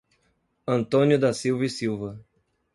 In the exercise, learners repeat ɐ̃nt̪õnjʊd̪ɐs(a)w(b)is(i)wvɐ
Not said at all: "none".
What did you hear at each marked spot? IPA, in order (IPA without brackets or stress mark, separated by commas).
i, v, i